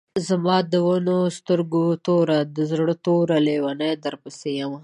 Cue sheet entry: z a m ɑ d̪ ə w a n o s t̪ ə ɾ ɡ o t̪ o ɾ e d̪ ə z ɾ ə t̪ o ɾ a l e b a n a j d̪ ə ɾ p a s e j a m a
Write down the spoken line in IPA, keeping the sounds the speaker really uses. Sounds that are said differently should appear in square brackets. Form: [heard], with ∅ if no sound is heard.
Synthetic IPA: z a m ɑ d̪ ə w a n o s t̪ ə ɾ ɡ o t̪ o ɾ [a] d̪ ə z [ɽ] ə t̪ o ɾ a l e [w] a n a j d̪ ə ɾ p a s e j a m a